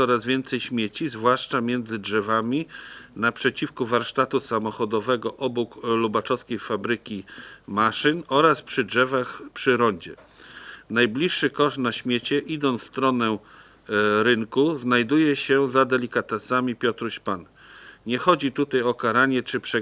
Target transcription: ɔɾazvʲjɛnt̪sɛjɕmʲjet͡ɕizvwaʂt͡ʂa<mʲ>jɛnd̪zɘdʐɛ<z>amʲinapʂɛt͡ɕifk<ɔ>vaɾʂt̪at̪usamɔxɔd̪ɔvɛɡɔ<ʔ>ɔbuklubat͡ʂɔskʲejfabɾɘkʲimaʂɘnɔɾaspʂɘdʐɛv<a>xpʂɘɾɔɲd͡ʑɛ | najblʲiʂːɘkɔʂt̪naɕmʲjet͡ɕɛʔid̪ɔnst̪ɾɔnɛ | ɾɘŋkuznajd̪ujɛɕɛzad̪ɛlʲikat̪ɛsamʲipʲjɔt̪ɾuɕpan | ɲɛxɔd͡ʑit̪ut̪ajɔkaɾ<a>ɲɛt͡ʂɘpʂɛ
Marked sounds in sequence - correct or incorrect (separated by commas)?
correct, incorrect, incorrect, correct, correct, correct